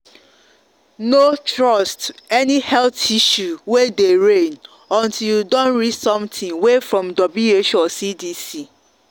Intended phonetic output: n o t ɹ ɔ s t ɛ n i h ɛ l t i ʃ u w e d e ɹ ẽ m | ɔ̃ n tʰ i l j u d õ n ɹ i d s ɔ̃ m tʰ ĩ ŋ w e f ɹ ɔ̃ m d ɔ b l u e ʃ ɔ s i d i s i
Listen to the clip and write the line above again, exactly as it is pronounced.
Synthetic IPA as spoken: n o t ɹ ɔ s t ɛ n i h ɛ l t i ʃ u w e d e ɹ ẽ n | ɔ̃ n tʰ i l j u d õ n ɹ i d s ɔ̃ m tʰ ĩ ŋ w e f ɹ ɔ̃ m d ɔ b l u e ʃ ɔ s i d i s i